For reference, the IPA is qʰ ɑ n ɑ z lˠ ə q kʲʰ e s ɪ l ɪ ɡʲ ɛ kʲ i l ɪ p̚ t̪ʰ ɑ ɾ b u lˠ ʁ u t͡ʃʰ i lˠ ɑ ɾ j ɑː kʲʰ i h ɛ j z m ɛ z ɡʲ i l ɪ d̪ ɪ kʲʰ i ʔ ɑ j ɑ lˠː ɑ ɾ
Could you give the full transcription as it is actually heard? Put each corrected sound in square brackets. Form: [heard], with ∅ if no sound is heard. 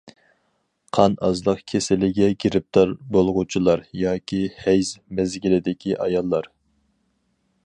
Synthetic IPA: qʰ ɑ n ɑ z lˠ ə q kʲʰ e s ɪ l ɪ ɡʲ ɛ [ɡʲ] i [ɾ] ɪ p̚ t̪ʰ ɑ ɾ b [o] lˠ ʁ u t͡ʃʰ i lˠ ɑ ɾ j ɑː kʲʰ i h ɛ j z m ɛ z ɡʲ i l ɪ d̪ ɪ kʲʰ i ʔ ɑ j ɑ lˠː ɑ ɾ